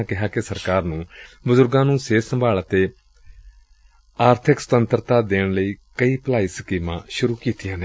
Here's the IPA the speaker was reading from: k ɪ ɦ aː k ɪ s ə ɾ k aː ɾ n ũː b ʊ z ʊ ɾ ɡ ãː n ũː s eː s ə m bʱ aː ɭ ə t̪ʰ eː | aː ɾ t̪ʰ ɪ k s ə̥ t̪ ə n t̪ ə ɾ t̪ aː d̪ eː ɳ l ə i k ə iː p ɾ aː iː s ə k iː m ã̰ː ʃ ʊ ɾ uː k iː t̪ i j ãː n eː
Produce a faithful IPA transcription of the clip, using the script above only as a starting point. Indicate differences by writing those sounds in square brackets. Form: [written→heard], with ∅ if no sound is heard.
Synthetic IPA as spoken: k ɪ ɦ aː k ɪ s ə ɾ k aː ɾ n ũː b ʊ z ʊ ɾ ɡ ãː n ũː s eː s ə m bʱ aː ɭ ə [t̪ʰ→t̪] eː | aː ɾ t̪ʰ ɪ k s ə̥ t̪ ə n t̪ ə ɾ t̪ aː d̪ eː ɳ l ə [i→iː] k ə iː p [ɾ→l] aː iː s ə k iː m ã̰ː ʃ ʊ ɾ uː k iː t̪ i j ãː n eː

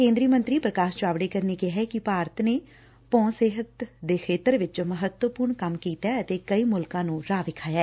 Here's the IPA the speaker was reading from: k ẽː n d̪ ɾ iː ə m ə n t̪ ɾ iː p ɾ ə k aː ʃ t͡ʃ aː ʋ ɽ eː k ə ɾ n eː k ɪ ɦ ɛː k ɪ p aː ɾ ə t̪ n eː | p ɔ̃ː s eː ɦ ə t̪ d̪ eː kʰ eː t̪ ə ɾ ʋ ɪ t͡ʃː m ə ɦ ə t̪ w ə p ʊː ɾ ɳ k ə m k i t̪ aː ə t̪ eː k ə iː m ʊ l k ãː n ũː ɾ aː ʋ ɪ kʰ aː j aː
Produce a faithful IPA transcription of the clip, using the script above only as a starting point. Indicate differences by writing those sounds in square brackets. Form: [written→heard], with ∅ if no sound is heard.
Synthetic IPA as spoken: k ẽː n d̪ ɾ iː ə m ə n t̪ ɾ iː p ɾ ə k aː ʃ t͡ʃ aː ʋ ɽ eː k ə ɾ n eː k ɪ ɦ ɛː k ɪ p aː ɾ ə t̪ n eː | p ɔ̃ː s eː ɦ ə t̪ d̪ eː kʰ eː t̪ ə ɾ ʋ ɪ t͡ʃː m ə ɦ ə t̪ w ə p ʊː ɾ ɳ k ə m k [i→iː] t̪ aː ə t̪ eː k ə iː m ʊ l k ãː n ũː ɾ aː ʋ ɪ kʰ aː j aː

